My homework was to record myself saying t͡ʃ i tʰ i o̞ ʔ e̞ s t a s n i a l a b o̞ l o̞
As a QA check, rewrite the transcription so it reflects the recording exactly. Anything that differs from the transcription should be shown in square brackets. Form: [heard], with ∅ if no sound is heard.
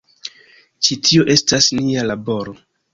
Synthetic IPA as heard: t͡ʃ i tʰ i o̞ ʔ e̞ s t a s n i a l a b o̞ [ɾ] o̞